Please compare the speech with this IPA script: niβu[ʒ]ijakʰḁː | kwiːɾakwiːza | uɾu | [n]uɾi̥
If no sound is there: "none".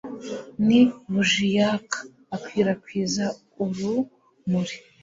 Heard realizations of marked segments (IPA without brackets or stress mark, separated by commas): ʒ, m